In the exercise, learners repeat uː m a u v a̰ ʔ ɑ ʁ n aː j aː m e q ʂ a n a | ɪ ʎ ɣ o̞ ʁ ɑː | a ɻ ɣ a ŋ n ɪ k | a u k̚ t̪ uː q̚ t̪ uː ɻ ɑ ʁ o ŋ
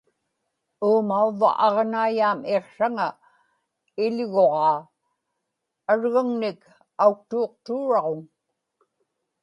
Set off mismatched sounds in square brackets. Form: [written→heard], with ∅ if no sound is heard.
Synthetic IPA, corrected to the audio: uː m a u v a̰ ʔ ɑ ʁ n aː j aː m e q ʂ a [n→ŋ] a | ɪ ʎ ɣ o̞ ʁ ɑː | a ɻ ɣ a ŋ n ɪ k | a u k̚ t̪ uː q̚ t̪ uː ɻ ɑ ʁ o ŋ